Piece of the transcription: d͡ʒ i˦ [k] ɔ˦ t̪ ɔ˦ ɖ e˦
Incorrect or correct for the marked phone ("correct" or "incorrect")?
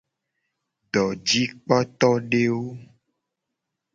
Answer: incorrect